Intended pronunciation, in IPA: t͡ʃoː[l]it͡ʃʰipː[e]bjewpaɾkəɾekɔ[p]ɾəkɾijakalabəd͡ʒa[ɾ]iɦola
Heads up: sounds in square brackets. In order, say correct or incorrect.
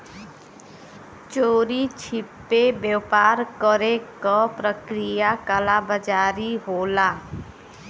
incorrect: ɾ, correct, correct, correct

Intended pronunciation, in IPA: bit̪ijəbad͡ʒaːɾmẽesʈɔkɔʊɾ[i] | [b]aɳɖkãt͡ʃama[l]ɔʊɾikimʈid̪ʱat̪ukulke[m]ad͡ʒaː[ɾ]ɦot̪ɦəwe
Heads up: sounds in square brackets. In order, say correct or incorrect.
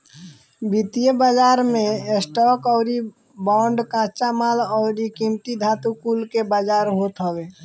correct, correct, correct, incorrect: b, correct

